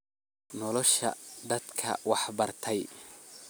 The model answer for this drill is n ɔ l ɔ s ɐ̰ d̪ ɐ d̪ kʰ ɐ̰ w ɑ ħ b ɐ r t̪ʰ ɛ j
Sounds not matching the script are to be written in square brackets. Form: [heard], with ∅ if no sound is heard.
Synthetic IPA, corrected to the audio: n ɔ l ɔ [ʃ] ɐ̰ d̪ ɐ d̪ kʰ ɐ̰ w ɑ ħ b ɐ r t̪ʰ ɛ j